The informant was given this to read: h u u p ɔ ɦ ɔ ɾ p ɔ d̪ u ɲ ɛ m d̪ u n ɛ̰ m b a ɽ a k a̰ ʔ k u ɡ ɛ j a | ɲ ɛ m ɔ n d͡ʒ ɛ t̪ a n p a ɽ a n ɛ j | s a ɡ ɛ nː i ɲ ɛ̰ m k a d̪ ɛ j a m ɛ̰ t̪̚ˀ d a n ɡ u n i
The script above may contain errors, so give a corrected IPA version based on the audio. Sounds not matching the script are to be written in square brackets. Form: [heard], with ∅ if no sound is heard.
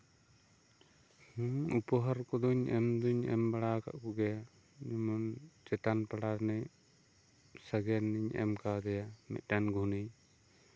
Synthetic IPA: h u u p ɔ ɦ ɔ ɾ [k] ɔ d̪ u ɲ ɛ m d̪ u [ɲ] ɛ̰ m b a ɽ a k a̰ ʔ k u ɡ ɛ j a | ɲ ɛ m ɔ n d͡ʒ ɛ t̪ a n p a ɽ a n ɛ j | s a ɡ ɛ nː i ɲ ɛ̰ m k a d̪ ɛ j a m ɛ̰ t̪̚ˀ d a n ɡ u n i